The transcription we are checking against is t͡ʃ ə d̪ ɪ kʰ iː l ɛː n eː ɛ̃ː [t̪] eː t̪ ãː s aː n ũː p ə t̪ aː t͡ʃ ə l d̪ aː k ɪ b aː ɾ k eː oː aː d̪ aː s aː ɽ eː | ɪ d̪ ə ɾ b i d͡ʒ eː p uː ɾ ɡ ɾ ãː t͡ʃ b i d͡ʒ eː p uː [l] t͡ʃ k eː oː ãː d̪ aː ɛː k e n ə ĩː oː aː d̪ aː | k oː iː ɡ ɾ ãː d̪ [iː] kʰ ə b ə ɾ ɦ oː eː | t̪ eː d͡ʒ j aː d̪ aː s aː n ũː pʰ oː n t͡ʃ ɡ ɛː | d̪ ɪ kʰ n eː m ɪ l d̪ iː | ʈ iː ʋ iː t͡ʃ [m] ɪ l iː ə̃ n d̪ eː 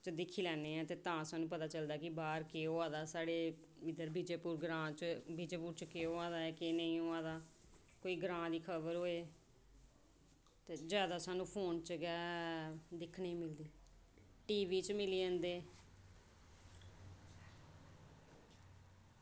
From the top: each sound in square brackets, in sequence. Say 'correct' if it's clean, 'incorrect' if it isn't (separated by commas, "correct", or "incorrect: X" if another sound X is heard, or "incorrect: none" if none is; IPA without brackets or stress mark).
correct, incorrect: ɾ, correct, correct